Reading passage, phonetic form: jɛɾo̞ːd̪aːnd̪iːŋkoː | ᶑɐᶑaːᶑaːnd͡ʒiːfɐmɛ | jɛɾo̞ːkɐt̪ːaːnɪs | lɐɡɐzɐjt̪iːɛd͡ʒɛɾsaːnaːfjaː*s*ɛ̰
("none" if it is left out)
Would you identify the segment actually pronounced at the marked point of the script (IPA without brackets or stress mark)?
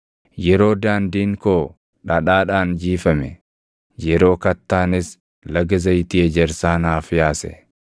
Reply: s